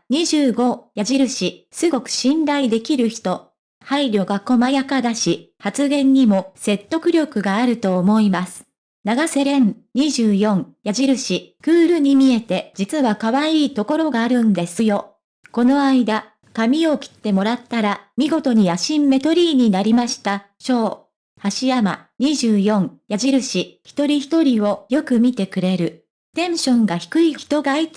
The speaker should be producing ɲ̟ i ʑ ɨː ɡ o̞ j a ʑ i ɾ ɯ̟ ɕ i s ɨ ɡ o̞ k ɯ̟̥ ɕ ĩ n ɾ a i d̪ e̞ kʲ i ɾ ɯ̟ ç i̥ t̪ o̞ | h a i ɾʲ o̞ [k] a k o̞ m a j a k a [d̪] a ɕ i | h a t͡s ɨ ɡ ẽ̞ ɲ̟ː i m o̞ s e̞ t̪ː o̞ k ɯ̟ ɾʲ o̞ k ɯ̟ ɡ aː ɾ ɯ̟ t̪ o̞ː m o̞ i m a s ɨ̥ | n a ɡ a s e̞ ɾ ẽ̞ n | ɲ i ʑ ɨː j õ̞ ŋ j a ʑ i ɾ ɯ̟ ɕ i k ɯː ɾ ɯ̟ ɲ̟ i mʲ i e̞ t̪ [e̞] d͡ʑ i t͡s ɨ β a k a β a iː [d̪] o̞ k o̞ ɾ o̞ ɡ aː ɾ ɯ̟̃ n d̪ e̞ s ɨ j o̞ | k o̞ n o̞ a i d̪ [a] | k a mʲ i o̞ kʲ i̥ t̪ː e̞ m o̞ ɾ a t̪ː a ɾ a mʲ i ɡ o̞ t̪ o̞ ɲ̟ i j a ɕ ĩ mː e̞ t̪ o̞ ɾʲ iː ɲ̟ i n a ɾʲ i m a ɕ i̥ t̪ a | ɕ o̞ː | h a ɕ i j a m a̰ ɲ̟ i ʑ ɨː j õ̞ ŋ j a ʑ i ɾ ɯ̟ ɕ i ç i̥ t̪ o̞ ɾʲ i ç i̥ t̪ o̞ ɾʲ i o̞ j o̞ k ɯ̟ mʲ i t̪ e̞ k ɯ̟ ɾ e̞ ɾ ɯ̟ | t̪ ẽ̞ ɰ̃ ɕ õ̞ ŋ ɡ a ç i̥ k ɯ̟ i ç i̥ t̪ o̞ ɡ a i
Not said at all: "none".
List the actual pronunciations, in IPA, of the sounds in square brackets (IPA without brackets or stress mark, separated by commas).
ɡ, d̪, e̞, t̪, a